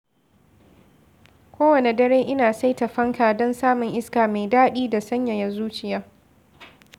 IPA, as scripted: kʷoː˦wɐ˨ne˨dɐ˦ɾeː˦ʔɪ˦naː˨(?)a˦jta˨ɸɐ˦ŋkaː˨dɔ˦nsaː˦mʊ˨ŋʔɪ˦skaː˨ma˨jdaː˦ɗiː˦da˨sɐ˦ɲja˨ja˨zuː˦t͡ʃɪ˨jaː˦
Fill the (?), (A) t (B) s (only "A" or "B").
B